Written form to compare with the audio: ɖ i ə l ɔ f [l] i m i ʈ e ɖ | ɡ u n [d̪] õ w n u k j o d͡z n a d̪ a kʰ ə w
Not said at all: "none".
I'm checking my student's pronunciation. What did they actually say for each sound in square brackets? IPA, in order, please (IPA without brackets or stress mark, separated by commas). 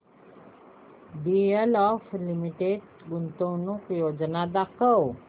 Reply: l, t̪